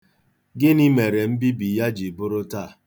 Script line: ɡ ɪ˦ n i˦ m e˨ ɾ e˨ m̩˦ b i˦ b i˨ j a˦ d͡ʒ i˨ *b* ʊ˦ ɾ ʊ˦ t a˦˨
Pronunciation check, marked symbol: correct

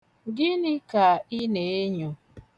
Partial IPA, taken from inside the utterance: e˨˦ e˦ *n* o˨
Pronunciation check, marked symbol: incorrect: ɲ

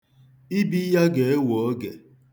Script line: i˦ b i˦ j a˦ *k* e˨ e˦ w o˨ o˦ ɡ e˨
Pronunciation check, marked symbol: incorrect: ɡ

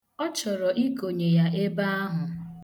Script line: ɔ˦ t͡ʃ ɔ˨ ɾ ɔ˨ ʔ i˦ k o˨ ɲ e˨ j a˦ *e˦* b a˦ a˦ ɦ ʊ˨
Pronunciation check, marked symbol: correct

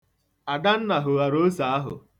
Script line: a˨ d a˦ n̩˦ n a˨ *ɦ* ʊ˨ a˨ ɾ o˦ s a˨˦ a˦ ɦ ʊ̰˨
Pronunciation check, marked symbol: correct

